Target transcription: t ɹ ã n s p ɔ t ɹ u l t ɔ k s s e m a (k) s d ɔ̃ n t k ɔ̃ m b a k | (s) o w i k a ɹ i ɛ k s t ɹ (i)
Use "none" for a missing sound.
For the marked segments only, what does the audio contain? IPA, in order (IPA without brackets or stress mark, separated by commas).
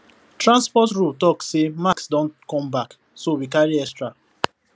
k, s, a